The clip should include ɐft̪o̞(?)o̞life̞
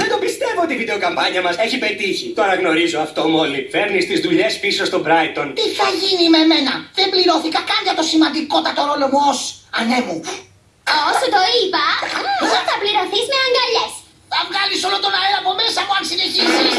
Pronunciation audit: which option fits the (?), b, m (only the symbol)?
m